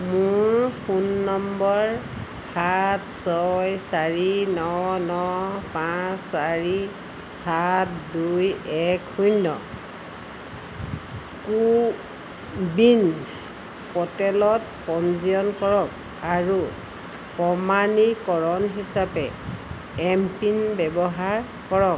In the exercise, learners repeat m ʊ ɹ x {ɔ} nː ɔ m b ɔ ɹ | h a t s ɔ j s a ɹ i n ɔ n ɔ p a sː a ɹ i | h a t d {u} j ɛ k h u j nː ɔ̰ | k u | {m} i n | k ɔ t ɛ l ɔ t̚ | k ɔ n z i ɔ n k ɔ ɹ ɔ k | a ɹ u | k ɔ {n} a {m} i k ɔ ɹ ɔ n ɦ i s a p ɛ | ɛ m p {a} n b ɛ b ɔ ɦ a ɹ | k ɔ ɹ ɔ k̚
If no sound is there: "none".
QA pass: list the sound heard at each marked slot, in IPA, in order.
u, u, b, m, n, i

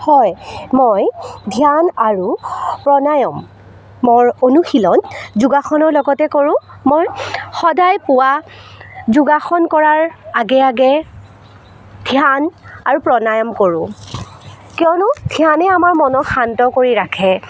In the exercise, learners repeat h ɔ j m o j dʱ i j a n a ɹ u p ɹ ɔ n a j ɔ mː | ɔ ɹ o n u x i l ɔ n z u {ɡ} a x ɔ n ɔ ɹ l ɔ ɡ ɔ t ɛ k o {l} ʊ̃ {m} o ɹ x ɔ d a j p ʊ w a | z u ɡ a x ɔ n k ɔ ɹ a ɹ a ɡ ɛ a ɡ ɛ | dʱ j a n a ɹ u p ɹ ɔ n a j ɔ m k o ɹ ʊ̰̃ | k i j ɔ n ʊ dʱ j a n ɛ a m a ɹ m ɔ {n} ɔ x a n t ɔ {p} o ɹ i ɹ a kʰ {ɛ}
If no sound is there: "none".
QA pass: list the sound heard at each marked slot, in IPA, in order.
ɡ, ɹ, m, n, k, ɛ

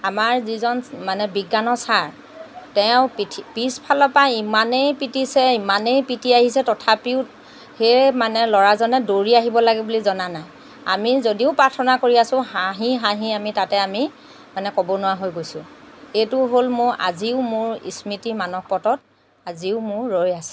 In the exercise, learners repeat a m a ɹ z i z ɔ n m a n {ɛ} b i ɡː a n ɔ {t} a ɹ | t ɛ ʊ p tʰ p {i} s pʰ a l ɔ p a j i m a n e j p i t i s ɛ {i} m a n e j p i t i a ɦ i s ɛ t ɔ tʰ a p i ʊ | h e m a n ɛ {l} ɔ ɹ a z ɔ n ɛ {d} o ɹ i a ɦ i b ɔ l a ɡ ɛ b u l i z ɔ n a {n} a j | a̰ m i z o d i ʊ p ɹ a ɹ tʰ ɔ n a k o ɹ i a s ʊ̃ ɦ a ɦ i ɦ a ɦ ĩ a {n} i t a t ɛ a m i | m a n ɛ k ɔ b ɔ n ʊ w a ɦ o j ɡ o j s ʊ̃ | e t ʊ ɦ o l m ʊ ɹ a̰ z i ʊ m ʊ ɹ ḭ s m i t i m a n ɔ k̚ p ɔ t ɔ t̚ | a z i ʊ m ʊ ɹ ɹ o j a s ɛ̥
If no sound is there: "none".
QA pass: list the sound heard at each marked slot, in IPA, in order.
ɛ, s, i, i, l, d, n, m

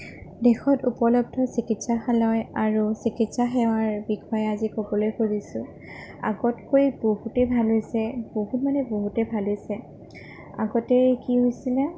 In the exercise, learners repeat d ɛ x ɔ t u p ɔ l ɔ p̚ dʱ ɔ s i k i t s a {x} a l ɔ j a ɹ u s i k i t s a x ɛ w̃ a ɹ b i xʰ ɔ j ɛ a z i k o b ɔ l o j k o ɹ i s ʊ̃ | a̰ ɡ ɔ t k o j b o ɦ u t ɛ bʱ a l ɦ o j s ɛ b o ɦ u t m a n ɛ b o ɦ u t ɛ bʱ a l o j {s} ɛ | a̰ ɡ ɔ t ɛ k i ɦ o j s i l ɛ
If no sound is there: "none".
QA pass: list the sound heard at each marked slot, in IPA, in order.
x, s

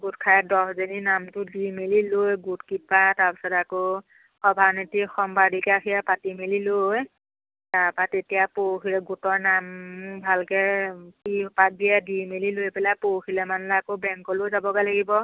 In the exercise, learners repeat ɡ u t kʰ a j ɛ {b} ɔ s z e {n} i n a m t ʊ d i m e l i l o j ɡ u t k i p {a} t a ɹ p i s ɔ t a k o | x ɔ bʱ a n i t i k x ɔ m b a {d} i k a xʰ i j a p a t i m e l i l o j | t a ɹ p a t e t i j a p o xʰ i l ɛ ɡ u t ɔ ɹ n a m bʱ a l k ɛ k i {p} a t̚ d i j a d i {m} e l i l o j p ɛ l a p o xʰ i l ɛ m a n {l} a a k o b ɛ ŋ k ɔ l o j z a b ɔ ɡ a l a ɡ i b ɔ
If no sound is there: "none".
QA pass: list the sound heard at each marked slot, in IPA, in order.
d, n, a, d, p, m, l

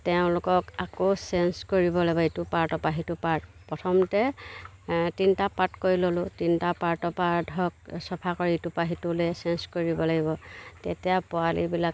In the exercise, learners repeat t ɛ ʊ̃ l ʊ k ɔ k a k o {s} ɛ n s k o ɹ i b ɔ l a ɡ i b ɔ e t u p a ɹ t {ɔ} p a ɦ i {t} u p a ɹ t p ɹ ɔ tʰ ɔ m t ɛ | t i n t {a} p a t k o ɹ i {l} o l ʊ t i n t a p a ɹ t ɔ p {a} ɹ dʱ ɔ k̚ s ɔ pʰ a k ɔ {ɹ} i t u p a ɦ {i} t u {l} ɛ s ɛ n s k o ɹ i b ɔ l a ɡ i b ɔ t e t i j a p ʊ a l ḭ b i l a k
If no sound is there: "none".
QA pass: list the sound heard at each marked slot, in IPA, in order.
s, ɔ, t, a, l, a, ɹ, i, l

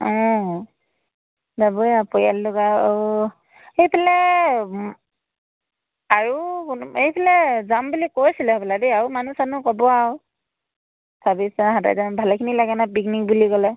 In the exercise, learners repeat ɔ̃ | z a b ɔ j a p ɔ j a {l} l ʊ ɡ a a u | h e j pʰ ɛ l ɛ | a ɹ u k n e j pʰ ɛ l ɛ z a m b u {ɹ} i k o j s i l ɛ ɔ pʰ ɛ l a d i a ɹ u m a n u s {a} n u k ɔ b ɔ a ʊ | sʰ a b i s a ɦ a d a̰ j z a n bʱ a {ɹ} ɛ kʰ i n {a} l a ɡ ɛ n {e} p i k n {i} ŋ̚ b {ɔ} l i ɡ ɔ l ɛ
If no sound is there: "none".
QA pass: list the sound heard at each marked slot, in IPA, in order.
l, l, a, l, i, a, i, u

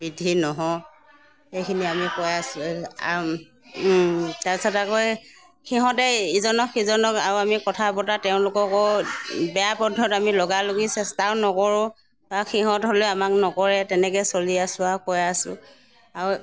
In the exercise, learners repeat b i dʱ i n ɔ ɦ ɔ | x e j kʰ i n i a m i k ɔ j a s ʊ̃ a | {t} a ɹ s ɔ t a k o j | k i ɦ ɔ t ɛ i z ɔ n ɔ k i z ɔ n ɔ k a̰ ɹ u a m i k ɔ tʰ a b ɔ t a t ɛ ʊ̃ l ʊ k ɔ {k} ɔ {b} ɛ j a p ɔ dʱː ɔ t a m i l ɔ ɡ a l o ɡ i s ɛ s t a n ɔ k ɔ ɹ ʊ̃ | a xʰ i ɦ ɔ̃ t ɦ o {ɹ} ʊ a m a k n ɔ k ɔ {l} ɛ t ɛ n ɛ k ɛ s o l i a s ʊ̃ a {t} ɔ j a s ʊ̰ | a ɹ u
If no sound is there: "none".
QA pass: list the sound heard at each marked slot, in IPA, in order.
t, k, b, l, ɹ, k

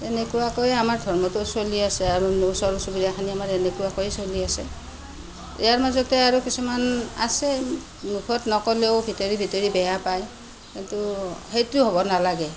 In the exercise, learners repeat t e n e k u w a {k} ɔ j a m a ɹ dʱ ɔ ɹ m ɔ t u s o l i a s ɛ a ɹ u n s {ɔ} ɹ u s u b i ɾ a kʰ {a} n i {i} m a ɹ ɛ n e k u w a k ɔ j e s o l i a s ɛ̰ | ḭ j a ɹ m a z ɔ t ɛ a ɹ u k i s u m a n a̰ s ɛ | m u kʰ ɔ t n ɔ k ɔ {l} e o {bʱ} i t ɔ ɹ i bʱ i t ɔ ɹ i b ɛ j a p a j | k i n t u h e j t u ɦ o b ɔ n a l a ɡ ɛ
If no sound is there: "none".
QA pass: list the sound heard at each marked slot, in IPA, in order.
k, ɔ, a, a, l, bʱ

